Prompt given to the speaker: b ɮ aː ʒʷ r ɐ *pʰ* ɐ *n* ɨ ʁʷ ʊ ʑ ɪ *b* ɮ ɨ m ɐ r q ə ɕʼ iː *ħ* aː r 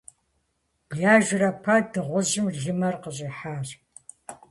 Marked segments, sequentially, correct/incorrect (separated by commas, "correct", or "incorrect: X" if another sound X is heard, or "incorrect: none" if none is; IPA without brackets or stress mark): correct, incorrect: d, incorrect: m, correct